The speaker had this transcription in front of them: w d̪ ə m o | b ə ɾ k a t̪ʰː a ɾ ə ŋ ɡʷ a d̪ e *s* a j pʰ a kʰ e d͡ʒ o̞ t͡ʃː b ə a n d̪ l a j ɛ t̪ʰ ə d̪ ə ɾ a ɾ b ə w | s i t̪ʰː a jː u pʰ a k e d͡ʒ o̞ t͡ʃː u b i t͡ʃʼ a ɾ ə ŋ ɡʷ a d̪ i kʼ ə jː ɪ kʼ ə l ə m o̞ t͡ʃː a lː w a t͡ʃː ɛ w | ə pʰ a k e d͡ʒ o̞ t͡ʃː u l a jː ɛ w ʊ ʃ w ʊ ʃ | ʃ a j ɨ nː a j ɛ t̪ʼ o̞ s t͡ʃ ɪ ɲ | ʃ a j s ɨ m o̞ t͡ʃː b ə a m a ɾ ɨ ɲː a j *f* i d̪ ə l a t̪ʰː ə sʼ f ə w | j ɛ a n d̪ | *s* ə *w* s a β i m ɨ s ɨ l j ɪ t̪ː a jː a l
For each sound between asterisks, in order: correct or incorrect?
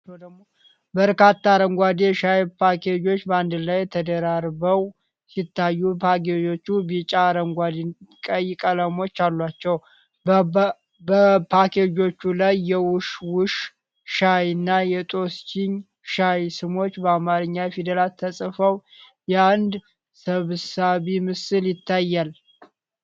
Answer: incorrect: ʃ, correct, correct, incorrect: β

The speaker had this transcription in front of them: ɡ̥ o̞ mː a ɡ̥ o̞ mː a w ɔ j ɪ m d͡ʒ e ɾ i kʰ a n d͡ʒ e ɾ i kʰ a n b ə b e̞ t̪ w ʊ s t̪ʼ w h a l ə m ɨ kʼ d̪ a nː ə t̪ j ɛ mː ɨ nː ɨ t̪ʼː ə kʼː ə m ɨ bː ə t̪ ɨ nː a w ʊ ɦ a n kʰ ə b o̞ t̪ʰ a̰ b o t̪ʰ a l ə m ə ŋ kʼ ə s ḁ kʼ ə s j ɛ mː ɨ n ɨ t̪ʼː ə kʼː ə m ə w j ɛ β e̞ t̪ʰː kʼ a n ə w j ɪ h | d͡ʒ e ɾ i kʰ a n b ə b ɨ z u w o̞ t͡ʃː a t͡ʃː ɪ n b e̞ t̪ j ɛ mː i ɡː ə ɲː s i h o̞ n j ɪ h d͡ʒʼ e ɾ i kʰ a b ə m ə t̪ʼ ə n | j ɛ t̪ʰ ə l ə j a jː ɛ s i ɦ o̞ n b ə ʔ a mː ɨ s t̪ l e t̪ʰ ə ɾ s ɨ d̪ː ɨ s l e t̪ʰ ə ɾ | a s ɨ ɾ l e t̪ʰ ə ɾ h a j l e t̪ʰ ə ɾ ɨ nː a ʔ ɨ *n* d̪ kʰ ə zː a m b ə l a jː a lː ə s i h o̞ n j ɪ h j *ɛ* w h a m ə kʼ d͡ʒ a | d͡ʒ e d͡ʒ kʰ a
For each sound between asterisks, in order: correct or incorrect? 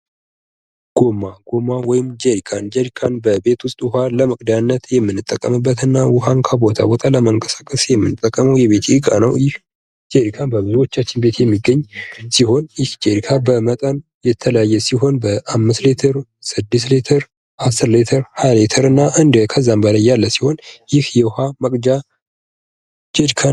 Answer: correct, correct

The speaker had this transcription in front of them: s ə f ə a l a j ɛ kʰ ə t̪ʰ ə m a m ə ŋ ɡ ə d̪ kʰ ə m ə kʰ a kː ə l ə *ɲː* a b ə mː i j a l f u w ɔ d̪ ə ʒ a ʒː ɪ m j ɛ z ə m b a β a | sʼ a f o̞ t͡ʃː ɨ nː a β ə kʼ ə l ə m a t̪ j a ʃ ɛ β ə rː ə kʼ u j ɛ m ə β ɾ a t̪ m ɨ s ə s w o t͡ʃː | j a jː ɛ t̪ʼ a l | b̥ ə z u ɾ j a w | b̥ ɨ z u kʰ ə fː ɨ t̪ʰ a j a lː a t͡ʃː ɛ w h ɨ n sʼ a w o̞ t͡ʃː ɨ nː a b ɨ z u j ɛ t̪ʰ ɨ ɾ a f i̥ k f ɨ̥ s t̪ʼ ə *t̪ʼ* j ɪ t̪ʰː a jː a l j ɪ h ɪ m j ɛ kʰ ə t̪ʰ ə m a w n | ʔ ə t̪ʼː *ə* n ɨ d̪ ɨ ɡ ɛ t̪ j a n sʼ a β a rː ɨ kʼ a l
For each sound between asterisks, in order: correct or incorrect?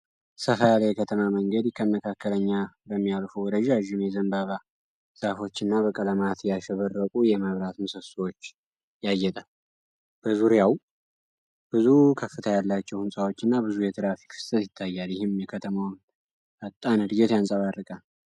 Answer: correct, incorrect: t̪, incorrect: a

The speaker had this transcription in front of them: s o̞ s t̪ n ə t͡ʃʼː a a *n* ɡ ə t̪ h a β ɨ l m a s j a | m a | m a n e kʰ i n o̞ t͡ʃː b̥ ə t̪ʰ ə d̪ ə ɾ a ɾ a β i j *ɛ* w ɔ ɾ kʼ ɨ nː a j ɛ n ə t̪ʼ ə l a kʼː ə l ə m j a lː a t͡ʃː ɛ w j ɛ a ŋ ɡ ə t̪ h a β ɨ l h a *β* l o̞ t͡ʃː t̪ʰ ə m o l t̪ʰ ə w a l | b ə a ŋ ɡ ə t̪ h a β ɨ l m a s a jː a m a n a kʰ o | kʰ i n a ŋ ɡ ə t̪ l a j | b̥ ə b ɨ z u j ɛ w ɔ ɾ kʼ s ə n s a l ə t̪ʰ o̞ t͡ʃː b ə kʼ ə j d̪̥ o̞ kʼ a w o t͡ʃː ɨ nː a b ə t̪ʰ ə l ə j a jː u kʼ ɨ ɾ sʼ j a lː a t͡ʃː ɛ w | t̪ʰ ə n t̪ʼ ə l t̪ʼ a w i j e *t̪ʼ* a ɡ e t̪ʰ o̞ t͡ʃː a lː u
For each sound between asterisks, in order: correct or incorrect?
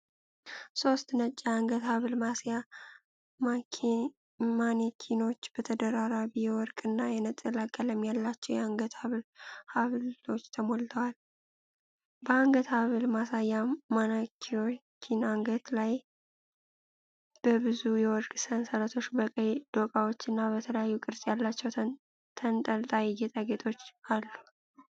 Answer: incorrect: ŋ, correct, correct, correct

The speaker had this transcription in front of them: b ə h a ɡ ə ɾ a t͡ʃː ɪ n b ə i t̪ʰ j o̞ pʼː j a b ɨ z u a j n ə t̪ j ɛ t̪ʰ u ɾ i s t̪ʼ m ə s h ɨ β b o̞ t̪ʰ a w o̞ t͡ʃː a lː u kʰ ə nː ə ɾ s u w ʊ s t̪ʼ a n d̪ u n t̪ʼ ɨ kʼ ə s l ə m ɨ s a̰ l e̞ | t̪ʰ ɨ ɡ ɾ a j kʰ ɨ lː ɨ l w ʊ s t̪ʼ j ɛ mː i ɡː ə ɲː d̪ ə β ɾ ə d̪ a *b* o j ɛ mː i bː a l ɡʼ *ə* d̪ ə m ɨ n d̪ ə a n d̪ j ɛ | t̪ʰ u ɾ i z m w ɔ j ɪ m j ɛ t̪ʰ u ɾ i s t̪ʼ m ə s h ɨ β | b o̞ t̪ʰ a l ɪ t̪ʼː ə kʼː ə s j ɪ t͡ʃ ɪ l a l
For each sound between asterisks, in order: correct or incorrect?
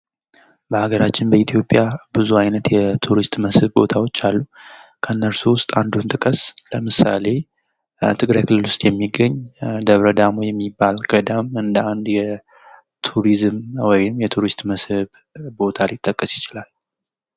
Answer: incorrect: m, correct

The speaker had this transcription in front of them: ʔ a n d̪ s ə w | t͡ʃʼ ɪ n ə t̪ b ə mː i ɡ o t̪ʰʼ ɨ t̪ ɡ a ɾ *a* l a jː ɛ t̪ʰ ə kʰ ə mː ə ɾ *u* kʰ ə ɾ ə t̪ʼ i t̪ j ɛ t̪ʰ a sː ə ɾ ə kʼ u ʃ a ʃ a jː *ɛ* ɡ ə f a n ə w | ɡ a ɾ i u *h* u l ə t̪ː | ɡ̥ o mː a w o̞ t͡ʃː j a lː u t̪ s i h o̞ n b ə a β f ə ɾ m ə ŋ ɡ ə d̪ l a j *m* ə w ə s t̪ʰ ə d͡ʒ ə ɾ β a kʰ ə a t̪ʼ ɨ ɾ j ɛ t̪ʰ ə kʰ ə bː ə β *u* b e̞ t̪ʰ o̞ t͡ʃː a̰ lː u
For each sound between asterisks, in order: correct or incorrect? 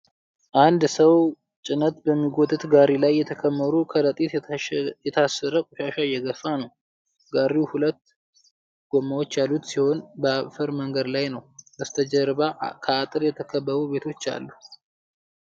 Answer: incorrect: i, correct, correct, correct, incorrect: n, correct

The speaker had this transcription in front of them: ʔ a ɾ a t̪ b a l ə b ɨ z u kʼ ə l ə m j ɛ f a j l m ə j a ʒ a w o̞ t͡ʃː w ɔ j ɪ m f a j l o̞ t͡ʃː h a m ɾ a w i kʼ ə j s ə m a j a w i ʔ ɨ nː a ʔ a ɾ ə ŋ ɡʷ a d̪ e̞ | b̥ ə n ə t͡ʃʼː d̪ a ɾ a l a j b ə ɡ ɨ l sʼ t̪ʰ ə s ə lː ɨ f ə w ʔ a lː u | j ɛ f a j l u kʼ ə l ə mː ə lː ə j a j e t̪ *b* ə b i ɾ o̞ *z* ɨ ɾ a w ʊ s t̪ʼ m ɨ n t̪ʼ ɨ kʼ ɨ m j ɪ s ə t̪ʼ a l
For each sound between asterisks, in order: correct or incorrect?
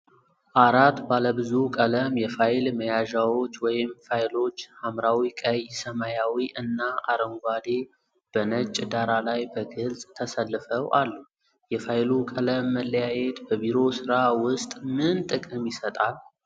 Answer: correct, incorrect: s

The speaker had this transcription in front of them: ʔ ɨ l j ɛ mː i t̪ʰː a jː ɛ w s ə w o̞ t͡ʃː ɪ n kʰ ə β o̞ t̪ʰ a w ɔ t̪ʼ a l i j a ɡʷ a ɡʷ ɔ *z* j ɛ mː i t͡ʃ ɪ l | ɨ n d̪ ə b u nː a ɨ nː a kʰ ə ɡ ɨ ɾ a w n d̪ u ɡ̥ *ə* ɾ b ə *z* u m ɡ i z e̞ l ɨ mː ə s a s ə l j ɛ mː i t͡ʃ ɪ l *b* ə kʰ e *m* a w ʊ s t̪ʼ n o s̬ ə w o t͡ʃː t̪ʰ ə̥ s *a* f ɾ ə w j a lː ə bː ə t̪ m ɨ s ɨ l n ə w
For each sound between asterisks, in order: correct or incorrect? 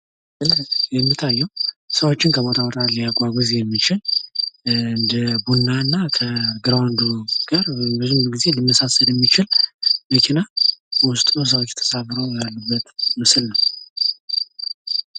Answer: correct, incorrect: a, correct, incorrect: m, incorrect: n, correct

